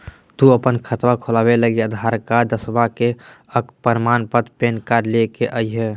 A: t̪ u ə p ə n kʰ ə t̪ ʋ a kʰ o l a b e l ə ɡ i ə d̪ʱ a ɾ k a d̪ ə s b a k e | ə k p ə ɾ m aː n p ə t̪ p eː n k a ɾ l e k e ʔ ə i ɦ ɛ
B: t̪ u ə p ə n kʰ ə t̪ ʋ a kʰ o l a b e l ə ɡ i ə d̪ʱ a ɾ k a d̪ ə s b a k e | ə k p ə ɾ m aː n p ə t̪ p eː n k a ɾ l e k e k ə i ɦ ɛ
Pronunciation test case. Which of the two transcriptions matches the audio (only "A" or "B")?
A